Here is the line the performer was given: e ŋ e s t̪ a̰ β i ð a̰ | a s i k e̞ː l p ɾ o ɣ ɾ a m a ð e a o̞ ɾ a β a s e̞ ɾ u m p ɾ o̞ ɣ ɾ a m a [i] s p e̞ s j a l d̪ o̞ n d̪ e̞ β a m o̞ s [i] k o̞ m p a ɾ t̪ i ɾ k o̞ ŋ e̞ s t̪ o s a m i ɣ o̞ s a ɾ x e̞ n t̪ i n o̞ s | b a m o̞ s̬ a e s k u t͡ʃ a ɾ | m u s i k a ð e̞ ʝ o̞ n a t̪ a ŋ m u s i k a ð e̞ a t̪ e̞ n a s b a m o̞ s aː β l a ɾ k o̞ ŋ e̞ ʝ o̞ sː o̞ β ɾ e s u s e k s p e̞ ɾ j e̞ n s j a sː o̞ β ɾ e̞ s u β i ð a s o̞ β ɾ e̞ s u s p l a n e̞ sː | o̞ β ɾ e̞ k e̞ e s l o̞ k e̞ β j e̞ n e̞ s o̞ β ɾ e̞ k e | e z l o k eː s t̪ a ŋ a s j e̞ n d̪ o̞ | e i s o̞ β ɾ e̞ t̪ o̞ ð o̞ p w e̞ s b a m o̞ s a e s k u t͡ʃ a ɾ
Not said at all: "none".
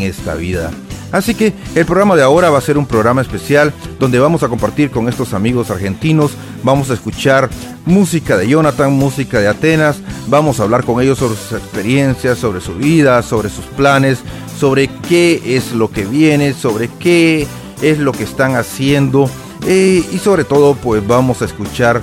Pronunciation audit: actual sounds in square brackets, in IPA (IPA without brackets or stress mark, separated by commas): e, a